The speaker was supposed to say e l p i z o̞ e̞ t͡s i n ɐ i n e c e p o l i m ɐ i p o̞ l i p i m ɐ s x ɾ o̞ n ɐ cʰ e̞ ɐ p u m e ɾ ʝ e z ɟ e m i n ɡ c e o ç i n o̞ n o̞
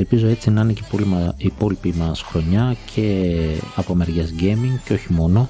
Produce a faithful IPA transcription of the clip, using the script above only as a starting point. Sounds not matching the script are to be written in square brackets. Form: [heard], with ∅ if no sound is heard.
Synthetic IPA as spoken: e l p i z o̞ e̞ t͡s i n ɐ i n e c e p o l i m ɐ i p o̞ l i p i m ɐ s x ɾ o̞ [ɲ] ɐ cʰ e̞ ɐ p [o] m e ɾ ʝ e z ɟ e m i [ŋ] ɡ c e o ç i [m] o̞ n o̞